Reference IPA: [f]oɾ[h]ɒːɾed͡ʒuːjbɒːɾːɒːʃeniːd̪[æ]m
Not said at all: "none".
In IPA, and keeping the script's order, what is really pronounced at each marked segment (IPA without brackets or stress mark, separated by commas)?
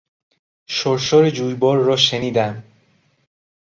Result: ʃ, ʃ, æ